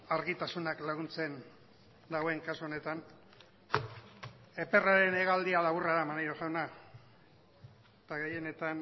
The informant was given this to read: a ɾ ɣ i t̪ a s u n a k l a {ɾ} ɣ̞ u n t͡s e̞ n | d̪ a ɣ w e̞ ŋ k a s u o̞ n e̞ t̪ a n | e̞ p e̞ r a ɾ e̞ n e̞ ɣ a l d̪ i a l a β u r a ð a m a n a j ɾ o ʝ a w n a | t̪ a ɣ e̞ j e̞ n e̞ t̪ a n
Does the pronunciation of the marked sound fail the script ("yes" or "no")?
yes